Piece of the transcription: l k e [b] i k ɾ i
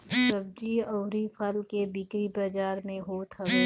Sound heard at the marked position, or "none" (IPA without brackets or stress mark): b